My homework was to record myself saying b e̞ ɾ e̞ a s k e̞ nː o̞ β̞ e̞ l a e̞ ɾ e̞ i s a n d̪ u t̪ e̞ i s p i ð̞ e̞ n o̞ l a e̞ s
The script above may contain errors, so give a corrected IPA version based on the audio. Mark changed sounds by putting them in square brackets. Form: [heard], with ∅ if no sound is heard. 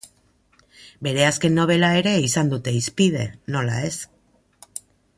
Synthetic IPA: b e̞ ɾ e̞ a s k e̞ nː o̞ β̞ e̞ l a e̞ ɾ e̞ i s a n d̪ u t̪ e̞ i s p i ð̞ e̞ n o̞ l a e̞ s

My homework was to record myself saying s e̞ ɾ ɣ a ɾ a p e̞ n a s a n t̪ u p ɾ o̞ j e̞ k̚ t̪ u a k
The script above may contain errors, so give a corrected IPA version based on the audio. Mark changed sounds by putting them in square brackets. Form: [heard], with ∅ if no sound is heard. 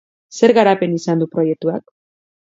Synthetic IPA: s e̞ ɾ ɣ a ɾ a p e̞ n [i] s a n [d̪] u p ɾ o̞ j e̞ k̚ t̪ u a k

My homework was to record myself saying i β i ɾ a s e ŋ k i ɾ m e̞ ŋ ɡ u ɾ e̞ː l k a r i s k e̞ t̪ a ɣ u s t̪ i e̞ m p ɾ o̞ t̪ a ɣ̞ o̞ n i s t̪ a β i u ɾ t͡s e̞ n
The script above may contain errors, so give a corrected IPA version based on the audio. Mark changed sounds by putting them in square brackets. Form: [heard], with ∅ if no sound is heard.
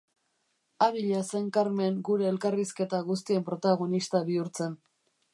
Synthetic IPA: [a] β i [ʎ] a s e ŋ k [a] ɾ m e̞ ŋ ɡ u ɾ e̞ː l k a r i s k e̞ t̪ a ɣ u s t̪ i e̞ m p ɾ o̞ t̪ a ɣ̞ o̞ n i s t̪ a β i u ɾ t͡s e̞ n

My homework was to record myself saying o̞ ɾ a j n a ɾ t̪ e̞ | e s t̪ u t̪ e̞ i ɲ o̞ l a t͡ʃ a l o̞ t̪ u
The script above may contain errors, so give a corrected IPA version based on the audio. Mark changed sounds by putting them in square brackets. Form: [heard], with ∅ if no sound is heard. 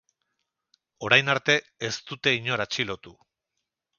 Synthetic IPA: o̞ ɾ a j n a ɾ t̪ e̞ | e s t̪ u t̪ e̞ i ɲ o̞ [ɾ] a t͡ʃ [i] l o̞ t̪ u

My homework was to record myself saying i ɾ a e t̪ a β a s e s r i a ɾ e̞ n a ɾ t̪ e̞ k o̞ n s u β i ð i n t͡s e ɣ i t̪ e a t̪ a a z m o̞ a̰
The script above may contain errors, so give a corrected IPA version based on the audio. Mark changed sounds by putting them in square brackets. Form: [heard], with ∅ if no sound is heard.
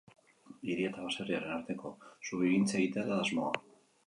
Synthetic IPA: i ɾ [i] e t̪ a β a s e [∅] r i a ɾ e̞ n a ɾ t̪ e̞ k o̞ [∅] s u β i [ɣ] i n t͡s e ɣ i t̪ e a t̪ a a z m o̞ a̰

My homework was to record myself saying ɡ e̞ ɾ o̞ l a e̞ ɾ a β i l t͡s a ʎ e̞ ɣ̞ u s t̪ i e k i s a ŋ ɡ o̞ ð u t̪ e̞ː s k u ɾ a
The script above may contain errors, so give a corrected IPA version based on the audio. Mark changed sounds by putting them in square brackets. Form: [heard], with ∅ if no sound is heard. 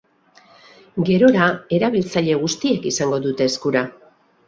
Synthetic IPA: ɡ e̞ ɾ o̞ [ɾ] a e̞ ɾ a β i l t͡s a ʎ e̞ ɣ̞ u s t̪ i e k i s a ŋ ɡ o̞ ð u t̪ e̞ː s k u ɾ a

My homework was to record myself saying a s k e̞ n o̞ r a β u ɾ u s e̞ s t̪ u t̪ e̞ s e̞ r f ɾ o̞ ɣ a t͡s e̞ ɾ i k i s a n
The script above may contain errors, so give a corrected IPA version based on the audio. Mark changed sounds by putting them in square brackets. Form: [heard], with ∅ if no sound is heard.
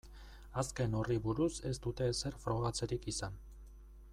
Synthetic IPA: a s k e̞ n o̞ r [i] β u ɾ u s e̞ s t̪ u t̪ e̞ s e̞ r f ɾ o̞ ɣ a t͡s e̞ ɾ i k i s a n

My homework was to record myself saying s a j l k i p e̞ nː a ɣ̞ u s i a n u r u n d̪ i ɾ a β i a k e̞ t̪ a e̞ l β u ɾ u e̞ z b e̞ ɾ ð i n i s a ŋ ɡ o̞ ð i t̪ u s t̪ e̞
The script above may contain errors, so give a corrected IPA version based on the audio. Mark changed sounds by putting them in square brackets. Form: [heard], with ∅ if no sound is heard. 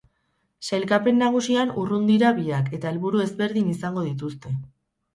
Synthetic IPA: s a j l k [a] p e̞ nː a ɣ̞ u s i a n u r u n d̪ i ɾ a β i a k e̞ t̪ a e̞ l β u ɾ u e̞ z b e̞ ɾ ð i n i s a ŋ ɡ o̞ ð i t̪ u s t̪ e̞

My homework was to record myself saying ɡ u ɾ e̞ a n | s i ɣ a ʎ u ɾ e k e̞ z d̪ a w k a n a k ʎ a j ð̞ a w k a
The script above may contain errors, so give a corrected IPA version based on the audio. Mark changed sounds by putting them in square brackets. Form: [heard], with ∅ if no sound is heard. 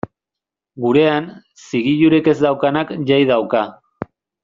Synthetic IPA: ɡ u ɾ e̞ a n | s i ɣ [i] ʎ u ɾ e k e̞ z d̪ a w k a n a k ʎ a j ð̞ a w k a

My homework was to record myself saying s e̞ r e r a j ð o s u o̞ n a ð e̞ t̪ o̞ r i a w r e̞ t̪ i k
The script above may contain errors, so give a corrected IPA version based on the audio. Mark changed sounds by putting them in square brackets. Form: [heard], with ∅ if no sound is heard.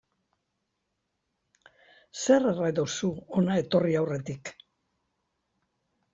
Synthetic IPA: s e̞ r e r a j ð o s u o̞ n a [∅] e̞ t̪ o̞ r i a w r e̞ t̪ i k

